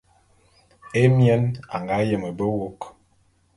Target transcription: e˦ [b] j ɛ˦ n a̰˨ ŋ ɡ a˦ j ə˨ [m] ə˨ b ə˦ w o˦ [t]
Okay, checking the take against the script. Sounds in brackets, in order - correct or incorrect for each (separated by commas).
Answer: incorrect, correct, incorrect